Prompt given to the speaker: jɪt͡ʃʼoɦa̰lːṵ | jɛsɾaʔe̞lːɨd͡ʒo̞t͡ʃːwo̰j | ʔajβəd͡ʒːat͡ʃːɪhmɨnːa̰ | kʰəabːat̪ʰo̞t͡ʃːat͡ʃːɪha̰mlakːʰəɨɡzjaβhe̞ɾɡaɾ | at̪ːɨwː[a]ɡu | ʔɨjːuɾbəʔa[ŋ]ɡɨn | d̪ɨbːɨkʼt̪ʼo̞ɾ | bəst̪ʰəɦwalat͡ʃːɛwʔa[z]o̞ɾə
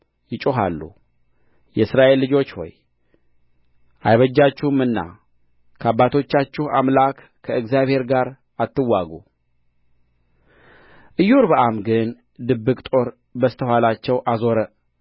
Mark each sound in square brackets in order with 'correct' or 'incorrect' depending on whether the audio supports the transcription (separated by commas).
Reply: correct, incorrect, correct